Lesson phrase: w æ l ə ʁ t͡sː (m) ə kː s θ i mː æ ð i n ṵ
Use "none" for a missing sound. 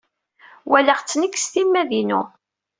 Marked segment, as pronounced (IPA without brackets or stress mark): n